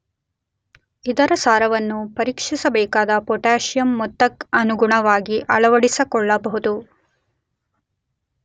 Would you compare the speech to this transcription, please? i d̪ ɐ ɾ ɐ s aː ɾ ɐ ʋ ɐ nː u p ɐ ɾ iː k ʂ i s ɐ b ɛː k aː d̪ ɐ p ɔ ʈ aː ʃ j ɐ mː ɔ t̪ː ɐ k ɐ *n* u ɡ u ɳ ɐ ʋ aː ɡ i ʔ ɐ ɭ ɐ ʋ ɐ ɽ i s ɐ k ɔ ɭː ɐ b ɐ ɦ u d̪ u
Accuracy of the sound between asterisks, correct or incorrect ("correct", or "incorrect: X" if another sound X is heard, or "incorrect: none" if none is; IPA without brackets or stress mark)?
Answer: correct